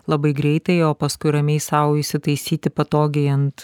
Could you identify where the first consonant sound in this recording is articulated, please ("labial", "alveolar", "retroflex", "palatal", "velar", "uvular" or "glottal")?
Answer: alveolar